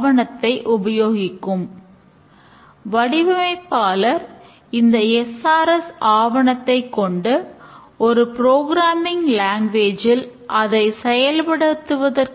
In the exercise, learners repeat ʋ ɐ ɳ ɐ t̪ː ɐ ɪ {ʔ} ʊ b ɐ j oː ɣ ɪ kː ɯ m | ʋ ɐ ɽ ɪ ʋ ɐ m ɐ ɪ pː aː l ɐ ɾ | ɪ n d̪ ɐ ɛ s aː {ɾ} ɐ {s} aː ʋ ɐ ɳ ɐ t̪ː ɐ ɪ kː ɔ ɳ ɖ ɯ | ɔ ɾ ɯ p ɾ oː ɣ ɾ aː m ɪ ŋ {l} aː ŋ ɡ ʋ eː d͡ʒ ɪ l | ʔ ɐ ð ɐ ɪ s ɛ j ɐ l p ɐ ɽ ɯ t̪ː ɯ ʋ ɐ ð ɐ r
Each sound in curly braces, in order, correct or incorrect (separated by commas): correct, correct, correct, correct